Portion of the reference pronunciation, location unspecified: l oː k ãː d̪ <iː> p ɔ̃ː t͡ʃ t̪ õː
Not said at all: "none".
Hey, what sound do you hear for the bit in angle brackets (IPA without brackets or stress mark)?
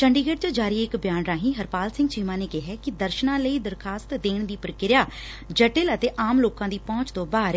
iː